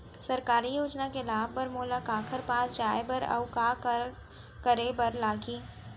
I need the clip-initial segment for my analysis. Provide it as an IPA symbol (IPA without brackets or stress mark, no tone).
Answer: s